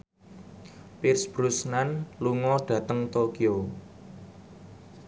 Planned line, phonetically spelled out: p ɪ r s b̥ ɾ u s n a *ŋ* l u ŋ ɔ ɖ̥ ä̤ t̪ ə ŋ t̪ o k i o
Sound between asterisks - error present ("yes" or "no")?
yes